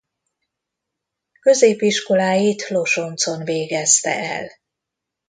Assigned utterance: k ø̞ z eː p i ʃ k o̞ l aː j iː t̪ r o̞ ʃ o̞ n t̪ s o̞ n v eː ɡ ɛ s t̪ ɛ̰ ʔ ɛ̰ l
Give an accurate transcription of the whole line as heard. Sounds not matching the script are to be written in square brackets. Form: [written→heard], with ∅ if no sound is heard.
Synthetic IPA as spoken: k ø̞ z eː p i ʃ k o̞ l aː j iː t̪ [r→l] o̞ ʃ o̞ n t̪ s o̞ n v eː ɡ ɛ s t̪ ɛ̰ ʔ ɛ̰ l